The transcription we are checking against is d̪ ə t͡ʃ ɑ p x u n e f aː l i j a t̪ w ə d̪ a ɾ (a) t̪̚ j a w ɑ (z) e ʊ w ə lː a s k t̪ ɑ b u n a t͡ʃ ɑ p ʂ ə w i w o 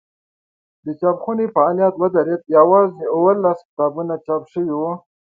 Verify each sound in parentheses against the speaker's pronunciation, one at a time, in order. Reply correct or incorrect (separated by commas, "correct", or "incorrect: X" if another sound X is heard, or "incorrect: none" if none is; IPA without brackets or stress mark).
incorrect: e, correct